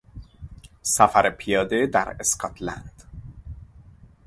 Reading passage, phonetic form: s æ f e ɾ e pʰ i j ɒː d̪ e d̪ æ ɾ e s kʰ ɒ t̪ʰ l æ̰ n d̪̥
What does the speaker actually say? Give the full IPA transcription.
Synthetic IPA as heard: s æ f æ ɾ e pʰ i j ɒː d̪ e d̪ æ ɾ e s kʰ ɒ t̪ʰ l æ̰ n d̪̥